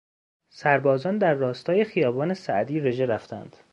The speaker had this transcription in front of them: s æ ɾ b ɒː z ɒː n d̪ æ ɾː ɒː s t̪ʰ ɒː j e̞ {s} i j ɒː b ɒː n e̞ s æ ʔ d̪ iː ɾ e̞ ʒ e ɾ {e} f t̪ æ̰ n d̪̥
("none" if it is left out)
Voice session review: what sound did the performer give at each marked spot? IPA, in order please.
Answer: x, æ

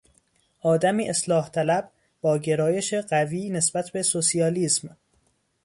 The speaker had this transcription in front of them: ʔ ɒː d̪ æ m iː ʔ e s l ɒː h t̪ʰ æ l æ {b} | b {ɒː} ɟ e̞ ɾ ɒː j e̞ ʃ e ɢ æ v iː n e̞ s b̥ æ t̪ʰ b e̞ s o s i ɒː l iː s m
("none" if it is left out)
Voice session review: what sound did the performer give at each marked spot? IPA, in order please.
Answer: b, ɒː

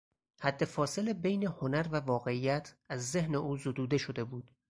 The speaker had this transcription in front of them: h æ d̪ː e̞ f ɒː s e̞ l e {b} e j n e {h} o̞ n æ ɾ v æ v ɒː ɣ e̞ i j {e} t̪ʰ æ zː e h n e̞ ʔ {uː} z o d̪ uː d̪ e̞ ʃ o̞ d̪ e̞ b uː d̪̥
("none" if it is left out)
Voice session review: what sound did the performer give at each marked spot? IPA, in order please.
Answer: b, h, æ, uː

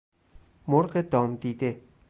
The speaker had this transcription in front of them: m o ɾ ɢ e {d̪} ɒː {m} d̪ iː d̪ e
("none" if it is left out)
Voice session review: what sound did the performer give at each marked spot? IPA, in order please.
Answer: d̪, m

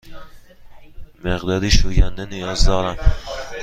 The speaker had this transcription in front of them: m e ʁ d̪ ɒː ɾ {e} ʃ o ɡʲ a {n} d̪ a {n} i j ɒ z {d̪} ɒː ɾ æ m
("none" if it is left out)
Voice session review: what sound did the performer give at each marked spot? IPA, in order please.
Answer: i, n, n, d̪

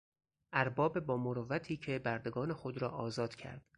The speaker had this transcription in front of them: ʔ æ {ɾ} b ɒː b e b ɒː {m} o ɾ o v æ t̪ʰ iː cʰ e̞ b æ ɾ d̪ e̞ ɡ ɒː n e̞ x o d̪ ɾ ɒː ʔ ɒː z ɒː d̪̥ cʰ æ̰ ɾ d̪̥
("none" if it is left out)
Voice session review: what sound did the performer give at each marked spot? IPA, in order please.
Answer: ɾ, m

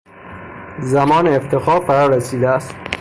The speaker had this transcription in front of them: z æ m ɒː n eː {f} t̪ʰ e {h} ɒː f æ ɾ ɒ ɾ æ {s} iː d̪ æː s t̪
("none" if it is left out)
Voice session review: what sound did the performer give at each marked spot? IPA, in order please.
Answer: f, x, s

